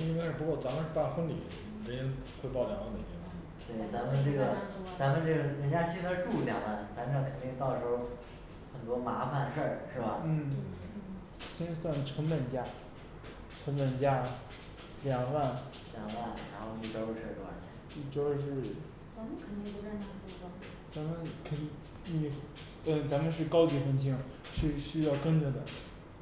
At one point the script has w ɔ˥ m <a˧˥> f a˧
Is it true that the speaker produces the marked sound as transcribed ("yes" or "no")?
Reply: yes